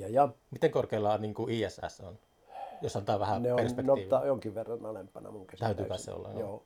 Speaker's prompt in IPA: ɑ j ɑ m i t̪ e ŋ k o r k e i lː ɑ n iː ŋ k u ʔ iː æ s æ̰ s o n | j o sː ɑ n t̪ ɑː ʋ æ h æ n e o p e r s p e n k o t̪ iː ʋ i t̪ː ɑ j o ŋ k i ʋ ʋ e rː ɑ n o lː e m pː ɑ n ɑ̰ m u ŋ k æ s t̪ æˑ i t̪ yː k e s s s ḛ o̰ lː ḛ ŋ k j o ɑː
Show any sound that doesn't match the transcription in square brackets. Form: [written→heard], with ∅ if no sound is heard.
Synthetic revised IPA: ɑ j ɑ m i t̪ e ŋ k o r k e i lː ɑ n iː ŋ k u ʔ iː æ s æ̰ s o n | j o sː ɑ n t̪ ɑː ʋ æ h æ n e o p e r s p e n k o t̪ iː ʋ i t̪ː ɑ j o ŋ k i ʋ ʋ e rː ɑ n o [lː→l] e m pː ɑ n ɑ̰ m u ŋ k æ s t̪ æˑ [i→y] t̪ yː k [e→æ] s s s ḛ o̰ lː ḛ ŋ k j o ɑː